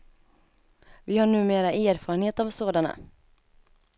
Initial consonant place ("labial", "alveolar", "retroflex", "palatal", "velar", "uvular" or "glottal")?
labial